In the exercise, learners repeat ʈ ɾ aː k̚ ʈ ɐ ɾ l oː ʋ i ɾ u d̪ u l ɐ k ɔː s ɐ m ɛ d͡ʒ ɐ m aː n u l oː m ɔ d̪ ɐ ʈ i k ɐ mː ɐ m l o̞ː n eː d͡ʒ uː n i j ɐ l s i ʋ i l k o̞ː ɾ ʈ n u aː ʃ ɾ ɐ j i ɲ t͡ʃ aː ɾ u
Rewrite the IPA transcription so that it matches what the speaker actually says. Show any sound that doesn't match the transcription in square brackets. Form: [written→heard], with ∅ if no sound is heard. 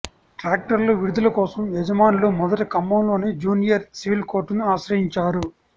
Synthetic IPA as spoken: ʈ ɾ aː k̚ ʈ ɐ ɾ l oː ʋ i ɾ u d̪ u l ɐ k ɔː s ɐ m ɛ d͡ʒ ɐ m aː n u l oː m ɔ d̪ ɐ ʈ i k ɐ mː ɐ m l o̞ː n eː d͡ʒ uː n i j ɐ [l→ɾ] s i ʋ i l k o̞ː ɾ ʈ n u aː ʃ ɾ ɐ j i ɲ t͡ʃ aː ɾ u